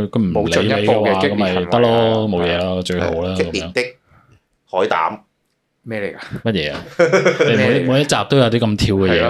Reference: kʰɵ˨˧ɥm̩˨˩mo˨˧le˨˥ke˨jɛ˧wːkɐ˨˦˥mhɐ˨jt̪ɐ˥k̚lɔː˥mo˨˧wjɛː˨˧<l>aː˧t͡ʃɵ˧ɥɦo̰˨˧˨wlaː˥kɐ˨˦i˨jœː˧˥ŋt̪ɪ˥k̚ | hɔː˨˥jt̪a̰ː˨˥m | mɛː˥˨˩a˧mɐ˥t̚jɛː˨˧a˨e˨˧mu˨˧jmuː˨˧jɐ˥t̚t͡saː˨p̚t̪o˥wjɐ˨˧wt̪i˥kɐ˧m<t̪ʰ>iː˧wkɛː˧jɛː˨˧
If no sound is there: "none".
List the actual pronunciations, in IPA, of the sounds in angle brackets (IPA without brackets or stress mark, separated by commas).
l, t̪ʰ